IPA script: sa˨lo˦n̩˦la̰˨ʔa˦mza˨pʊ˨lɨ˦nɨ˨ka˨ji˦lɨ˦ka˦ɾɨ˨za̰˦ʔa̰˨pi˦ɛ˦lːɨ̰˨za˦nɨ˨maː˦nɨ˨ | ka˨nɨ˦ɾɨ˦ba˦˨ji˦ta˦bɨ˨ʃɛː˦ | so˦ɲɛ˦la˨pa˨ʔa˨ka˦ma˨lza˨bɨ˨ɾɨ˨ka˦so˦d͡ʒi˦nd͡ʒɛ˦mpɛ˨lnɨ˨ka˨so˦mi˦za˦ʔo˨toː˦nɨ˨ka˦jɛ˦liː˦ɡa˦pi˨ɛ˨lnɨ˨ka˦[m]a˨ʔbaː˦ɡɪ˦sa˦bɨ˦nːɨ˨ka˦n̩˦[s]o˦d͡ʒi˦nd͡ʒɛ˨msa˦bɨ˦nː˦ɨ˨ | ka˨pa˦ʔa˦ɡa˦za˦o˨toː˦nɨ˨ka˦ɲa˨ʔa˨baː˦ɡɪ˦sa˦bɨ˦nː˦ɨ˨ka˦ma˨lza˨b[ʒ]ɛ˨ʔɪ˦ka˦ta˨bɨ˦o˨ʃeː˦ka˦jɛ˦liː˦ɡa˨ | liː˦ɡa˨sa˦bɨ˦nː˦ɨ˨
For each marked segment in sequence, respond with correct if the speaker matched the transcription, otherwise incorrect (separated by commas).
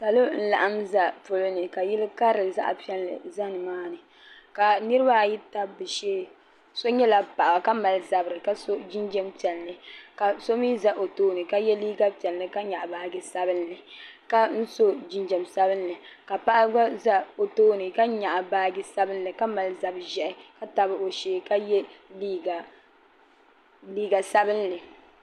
incorrect, correct, correct